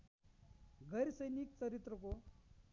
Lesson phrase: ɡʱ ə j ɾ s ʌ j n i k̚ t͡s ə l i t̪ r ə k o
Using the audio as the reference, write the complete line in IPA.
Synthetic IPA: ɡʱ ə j ɾ s ə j n i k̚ t͡s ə ɾ i t̪ ɾ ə k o